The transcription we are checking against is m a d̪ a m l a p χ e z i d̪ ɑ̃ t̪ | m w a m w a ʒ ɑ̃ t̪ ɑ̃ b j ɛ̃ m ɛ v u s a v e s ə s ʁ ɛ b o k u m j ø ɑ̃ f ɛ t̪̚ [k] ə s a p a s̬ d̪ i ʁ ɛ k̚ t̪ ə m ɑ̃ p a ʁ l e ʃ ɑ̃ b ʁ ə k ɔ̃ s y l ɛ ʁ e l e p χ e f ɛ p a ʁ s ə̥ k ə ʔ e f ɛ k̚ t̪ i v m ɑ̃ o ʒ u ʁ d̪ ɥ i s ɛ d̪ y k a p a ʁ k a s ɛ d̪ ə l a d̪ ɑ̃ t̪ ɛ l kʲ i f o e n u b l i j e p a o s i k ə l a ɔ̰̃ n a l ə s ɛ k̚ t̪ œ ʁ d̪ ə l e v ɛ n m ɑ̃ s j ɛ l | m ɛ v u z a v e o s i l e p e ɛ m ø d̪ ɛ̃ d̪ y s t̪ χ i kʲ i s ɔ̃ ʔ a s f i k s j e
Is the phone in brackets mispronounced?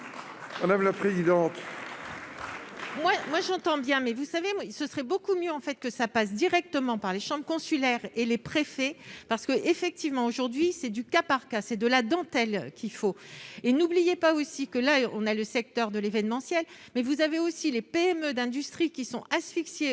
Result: no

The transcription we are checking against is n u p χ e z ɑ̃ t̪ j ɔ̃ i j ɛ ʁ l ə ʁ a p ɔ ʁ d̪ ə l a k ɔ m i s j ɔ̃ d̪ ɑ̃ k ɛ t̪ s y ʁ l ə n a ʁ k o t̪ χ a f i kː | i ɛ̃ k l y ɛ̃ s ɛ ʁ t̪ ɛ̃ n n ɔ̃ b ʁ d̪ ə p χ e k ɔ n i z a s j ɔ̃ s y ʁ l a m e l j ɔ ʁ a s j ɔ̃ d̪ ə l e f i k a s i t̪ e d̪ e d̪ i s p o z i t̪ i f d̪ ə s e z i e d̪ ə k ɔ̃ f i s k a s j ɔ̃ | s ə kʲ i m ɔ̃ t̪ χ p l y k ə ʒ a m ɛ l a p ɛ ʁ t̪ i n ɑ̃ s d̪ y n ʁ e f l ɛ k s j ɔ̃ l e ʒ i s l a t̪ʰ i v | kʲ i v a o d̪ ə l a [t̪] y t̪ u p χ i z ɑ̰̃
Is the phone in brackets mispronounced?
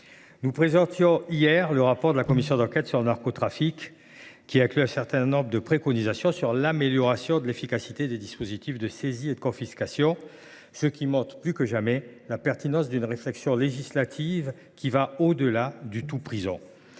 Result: yes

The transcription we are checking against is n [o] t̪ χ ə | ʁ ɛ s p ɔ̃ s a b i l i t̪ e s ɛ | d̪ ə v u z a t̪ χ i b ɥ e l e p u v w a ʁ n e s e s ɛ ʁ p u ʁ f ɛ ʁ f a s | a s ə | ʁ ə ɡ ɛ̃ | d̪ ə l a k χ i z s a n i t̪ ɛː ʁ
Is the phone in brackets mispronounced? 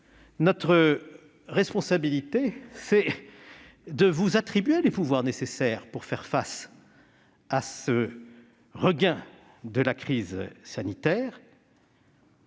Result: yes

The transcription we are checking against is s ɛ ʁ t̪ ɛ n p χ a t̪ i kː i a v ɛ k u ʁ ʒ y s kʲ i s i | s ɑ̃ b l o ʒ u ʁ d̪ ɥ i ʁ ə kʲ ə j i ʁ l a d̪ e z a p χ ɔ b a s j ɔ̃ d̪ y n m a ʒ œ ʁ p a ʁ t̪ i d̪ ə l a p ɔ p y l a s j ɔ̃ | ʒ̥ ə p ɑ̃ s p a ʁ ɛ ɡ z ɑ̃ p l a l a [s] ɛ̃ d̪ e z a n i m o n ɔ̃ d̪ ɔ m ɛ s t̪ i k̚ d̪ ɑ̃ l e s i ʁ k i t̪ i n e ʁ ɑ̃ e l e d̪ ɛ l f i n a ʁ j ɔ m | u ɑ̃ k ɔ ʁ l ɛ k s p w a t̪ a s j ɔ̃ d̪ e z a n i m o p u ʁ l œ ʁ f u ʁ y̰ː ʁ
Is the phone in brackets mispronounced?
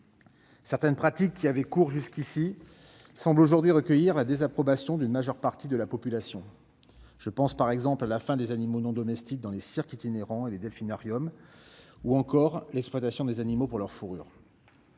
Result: yes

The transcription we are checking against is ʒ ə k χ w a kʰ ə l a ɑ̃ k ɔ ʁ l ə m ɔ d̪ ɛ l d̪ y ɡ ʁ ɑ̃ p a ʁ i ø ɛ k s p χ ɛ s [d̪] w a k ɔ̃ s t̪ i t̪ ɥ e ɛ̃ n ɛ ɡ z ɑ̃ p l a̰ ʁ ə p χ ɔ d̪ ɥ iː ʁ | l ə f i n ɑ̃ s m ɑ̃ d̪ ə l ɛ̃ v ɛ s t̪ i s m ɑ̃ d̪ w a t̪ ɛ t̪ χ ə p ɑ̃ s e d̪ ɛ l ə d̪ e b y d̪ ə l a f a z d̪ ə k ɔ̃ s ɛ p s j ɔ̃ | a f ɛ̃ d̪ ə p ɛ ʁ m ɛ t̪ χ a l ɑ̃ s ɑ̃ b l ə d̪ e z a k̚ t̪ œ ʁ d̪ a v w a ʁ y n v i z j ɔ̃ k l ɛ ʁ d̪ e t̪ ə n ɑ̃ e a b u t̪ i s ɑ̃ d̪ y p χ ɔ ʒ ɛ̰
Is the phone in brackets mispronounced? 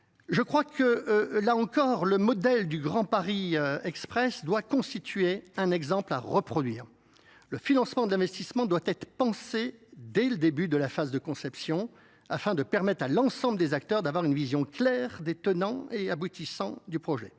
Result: no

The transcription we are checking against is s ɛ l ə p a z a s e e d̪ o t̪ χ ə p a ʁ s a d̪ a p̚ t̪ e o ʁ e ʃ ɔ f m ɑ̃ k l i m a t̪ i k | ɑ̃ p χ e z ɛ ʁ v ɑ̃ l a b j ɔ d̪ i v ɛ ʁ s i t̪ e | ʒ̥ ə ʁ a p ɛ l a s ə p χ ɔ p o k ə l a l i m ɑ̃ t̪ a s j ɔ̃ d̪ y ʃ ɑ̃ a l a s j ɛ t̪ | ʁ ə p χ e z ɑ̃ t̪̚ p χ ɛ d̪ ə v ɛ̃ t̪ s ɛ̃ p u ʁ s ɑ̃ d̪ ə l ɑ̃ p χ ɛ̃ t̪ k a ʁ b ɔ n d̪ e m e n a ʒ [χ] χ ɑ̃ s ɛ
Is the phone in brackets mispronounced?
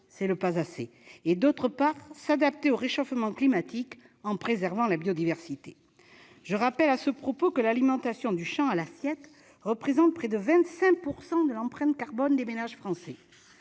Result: yes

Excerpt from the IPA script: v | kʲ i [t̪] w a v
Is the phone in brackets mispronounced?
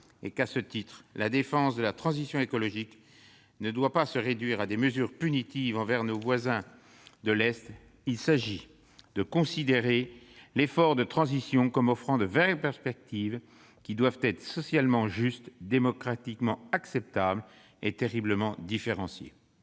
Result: yes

